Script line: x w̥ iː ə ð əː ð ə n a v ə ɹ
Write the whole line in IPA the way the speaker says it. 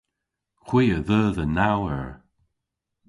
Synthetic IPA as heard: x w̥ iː ə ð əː ð ə n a w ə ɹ